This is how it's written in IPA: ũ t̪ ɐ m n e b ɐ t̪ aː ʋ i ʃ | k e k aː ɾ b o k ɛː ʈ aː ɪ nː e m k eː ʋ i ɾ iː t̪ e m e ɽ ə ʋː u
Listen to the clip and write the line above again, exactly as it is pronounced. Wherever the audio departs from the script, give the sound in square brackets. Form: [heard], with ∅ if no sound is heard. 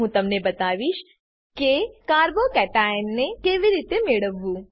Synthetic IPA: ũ t̪ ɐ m n e b ɐ t̪ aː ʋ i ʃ | k e k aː ɾ b o k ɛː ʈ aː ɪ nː e [∅] k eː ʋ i ɾ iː t̪ e m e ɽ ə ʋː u